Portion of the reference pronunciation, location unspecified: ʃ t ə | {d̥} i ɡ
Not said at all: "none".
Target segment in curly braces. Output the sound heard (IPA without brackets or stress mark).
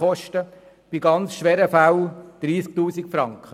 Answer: b̥